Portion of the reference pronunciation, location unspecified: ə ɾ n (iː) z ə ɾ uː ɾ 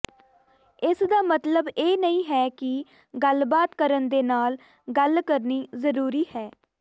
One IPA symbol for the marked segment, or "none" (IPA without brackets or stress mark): iː